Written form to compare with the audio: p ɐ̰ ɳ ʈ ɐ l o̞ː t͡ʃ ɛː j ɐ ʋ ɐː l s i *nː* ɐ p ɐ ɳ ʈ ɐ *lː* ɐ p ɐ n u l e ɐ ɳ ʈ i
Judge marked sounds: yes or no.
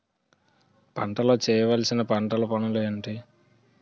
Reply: no, no

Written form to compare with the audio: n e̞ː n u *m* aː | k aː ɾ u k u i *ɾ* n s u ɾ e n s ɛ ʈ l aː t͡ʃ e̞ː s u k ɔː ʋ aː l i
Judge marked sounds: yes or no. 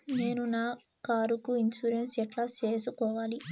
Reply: no, no

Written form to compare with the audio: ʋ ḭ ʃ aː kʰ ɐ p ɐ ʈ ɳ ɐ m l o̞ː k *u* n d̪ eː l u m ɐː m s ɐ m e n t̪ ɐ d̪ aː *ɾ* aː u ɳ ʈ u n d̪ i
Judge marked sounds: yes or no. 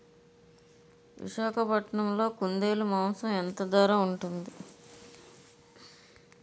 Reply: yes, yes

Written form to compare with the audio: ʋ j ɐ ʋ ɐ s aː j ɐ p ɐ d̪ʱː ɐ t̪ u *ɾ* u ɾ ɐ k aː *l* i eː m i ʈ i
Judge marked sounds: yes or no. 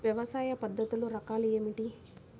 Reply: no, yes

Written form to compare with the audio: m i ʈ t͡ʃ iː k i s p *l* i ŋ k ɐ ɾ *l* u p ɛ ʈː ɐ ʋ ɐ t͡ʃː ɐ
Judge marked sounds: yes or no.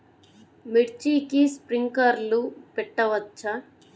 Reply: no, yes

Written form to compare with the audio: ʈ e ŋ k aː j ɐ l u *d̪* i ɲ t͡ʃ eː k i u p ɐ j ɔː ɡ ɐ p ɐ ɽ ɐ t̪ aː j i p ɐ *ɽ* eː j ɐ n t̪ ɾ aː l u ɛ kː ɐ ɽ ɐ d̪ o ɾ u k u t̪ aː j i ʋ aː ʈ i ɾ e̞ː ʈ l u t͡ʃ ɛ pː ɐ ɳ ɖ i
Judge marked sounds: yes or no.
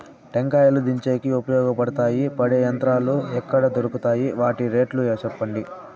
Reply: yes, yes

